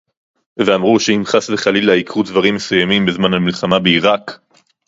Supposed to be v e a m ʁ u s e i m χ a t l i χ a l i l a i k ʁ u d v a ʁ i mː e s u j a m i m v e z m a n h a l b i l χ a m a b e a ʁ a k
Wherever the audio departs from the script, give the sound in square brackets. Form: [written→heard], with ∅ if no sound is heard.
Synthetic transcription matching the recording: v e a m ʁ u [s→ʃ] e i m χ a [t→s] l [i→e] χ a l i l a i k ʁ u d v a ʁ i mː e s u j a m i m [v→b] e z m a n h a l [b→m] i l χ a m a b e [a→i] ʁ a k

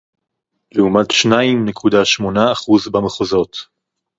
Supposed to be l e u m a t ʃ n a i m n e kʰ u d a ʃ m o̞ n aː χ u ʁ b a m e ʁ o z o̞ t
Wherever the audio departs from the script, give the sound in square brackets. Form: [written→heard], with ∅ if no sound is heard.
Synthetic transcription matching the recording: l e u m a t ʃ n a i m n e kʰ u d a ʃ m o̞ n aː χ u [ʁ→z] b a m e [ʁ→χ] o z o̞ t

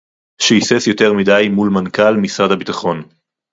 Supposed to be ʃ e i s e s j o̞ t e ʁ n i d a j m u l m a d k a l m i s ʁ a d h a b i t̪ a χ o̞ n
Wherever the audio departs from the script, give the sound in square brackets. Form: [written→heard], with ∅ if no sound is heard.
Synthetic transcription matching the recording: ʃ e i s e s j o̞ t e ʁ [n→m] i d a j m u l m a [d→n] k a l m i s ʁ a d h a b i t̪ a χ o̞ n

